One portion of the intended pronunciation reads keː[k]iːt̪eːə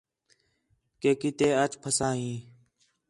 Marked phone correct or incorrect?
correct